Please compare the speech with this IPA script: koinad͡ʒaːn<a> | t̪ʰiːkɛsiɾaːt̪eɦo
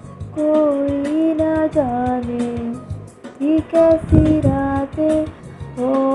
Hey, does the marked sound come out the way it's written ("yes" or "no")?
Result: no